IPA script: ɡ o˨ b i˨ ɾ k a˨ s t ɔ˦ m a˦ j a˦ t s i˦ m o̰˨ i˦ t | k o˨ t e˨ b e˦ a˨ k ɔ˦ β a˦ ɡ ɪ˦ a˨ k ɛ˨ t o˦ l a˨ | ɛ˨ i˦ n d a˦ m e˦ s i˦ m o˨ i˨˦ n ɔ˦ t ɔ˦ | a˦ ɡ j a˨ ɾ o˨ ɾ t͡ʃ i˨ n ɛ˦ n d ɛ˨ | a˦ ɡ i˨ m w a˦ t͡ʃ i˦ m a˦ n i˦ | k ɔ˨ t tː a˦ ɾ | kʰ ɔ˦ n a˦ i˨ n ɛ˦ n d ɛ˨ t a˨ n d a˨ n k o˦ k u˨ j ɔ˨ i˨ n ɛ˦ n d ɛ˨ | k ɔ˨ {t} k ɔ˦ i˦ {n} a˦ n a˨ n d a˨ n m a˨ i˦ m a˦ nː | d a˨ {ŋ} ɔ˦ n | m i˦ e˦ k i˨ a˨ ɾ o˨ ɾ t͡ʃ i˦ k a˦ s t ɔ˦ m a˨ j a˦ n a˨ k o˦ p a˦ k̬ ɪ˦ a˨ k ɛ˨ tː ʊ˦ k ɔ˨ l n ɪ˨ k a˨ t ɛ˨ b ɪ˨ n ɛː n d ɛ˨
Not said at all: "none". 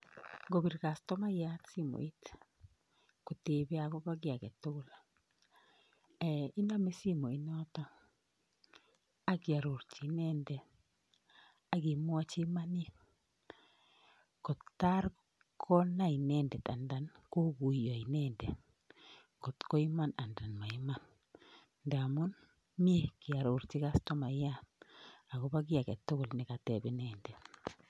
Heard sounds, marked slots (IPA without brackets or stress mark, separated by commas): t, m, m